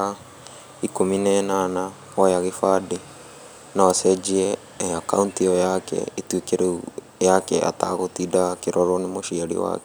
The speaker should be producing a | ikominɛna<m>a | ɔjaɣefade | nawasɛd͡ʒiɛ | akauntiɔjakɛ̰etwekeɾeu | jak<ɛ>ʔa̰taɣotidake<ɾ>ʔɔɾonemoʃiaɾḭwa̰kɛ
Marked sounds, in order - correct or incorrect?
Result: incorrect: n, correct, correct

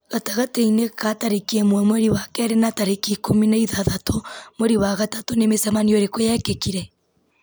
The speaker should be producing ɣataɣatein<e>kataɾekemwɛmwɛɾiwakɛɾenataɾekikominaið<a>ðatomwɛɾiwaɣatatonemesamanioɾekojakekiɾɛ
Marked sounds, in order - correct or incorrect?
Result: correct, correct

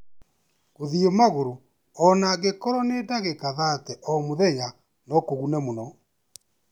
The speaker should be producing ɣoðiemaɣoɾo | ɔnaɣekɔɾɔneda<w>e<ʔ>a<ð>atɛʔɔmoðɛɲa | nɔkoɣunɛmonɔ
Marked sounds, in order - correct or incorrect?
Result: incorrect: ɣ, incorrect: k, correct

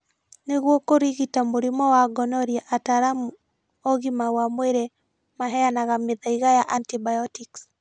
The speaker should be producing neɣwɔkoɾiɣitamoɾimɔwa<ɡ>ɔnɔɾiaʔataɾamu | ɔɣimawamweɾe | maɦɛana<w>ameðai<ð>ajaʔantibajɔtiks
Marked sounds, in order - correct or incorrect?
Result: correct, incorrect: ɣ, incorrect: ɣ

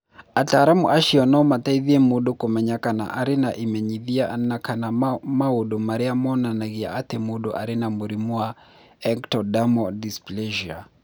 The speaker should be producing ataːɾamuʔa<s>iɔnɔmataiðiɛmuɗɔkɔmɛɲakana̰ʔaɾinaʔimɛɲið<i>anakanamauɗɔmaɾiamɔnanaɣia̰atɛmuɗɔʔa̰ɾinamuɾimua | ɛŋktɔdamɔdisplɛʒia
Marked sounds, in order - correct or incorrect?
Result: incorrect: ʃ, correct

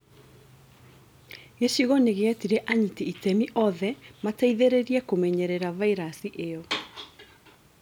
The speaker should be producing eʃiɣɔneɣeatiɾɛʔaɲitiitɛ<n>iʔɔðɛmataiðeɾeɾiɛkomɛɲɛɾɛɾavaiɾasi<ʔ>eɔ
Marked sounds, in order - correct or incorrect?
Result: incorrect: m, correct

